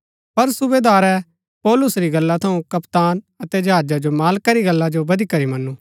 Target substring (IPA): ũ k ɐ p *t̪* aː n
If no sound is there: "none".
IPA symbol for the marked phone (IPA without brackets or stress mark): t̪